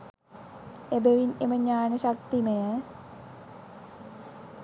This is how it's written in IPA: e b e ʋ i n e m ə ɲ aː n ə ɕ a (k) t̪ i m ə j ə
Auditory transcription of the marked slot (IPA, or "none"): k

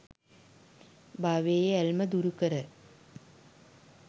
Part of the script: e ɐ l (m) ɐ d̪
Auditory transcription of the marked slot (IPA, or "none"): m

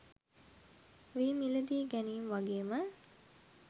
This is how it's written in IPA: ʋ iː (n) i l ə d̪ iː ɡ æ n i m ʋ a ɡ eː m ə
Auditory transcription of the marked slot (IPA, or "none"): m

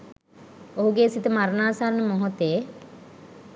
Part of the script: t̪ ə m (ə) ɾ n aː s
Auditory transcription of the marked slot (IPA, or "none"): a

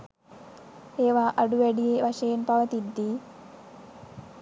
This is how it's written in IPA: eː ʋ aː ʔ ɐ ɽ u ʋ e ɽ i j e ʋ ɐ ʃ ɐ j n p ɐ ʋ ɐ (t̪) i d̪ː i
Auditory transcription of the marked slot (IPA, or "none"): t̪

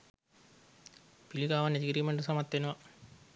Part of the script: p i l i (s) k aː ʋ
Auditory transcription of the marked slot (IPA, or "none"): none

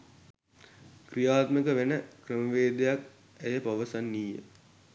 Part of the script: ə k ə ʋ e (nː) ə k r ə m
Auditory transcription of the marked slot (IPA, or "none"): n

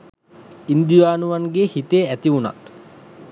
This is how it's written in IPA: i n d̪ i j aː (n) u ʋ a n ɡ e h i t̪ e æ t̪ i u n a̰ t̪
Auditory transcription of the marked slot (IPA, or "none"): n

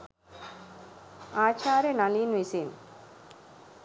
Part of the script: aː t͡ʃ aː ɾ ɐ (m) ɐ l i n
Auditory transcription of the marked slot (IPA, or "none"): n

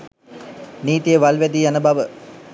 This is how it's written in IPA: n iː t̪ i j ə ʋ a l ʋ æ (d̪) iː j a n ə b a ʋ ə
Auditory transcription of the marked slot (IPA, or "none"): d̪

